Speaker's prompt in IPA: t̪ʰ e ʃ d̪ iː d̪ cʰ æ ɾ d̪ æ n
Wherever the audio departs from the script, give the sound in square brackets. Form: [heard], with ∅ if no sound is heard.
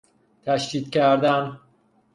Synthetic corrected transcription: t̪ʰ [æ] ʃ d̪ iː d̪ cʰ æ ɾ d̪ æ n